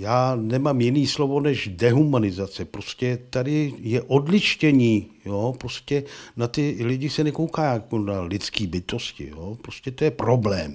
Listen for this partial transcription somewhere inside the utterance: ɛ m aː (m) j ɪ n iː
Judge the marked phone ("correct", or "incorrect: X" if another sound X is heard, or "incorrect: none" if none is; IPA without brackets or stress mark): correct